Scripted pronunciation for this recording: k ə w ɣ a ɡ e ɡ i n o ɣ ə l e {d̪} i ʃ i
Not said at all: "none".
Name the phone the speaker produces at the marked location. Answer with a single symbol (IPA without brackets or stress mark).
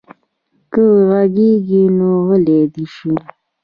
d̪